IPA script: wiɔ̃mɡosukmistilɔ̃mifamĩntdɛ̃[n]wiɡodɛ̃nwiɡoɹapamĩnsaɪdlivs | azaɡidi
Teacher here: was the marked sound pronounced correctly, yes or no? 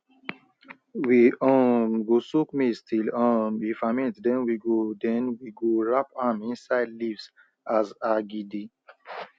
yes